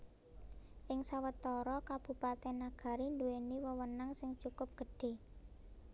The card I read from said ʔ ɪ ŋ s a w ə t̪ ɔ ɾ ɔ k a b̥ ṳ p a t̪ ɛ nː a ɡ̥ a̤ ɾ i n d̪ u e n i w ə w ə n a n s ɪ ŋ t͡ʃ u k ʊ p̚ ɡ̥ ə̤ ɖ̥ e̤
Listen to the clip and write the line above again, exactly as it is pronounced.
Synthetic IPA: ʔ ɪ ŋ s a w ə t̪ ɔ ɾ ɔ k a b̥ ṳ p a t̪ ɛ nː a ɡ̥ a̤ ɾ i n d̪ u e n i w ə w ə n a ŋ s ɪ ŋ t͡ʃ u k ʊ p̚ ɡ̥ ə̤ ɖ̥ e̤

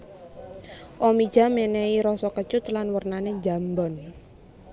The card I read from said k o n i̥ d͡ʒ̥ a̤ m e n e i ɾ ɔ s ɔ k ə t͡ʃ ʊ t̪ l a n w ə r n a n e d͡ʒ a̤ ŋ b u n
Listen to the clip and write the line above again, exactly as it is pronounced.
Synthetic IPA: ʔ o m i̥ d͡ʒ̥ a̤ m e n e i ɾ ɔ s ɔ k ə t͡ʃ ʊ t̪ l a n w ə r n a n e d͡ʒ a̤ m b ɔ n

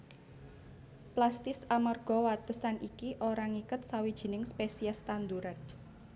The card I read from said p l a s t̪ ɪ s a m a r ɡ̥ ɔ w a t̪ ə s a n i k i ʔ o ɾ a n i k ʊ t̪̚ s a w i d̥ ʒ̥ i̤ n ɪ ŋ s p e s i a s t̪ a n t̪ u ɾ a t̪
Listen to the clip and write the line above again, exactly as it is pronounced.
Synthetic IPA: p l a s t̪ ɪ s a m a r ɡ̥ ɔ w a t̪ ə s a n i k i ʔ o ɾ a ŋ i k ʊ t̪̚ s a w i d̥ ʒ̥ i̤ n ɪ ŋ s p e s i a s t̪ a n d̪ u ɾ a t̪

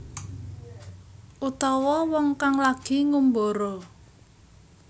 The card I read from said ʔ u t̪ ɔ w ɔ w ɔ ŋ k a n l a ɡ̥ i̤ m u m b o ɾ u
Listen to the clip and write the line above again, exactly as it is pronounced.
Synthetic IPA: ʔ u t̪ ɔ w ɔ w ɔ ŋ k a ŋ l a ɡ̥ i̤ ŋ u m b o ɾ o

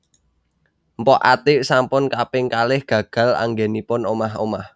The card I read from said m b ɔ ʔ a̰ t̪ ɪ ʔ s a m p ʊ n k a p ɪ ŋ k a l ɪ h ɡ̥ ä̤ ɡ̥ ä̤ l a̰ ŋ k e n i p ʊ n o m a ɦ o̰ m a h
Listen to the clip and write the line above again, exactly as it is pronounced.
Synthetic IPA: m p ɔ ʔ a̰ t̪ ɪ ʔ s a m p ʊ n k a p ɪ ŋ k a l ɪ h ɡ̥ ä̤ ɡ̥ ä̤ l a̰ ŋ ɡ e n i p ʊ n o m a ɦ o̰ m a h

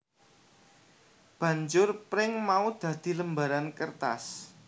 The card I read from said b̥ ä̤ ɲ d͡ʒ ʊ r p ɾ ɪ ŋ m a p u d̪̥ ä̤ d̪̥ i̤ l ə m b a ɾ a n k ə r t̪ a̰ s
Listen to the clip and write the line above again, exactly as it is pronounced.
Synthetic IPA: b̥ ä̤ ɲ d͡ʒ ʊ r p ɾ ɪ ŋ m a u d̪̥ ä̤ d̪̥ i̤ l ə m b a ɾ a n k ə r t̪ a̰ s

